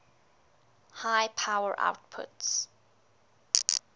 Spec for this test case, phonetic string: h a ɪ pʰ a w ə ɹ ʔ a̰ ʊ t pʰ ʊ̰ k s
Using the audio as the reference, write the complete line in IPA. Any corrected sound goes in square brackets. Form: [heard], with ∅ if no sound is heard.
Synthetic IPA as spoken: h a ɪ pʰ a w ə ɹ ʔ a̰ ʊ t pʰ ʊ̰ [t] s